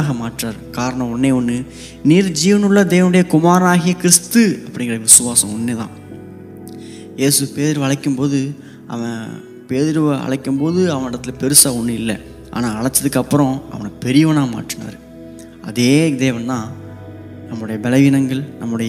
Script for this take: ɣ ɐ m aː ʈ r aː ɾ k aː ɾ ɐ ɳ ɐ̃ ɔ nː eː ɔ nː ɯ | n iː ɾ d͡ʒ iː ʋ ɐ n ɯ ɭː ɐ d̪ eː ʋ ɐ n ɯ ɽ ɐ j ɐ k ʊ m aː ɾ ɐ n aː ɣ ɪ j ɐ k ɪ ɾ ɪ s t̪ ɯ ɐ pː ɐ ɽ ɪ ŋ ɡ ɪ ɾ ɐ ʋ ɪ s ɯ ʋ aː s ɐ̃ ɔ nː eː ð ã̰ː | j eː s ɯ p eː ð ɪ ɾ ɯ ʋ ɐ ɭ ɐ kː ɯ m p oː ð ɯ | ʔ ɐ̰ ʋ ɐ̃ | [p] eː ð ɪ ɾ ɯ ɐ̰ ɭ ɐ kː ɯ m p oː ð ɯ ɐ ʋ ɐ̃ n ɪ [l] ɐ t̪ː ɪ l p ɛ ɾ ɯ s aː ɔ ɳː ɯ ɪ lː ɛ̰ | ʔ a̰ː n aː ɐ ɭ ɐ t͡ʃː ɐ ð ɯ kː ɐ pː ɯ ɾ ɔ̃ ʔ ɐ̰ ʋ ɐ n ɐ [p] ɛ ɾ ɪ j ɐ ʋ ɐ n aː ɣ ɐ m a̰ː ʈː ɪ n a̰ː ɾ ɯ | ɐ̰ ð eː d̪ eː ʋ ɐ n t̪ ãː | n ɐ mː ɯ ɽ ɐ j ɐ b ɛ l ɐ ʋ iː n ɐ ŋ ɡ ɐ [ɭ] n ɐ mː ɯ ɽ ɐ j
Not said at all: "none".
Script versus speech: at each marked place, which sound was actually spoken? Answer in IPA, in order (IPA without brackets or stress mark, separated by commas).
p, ɽ, p, ɭ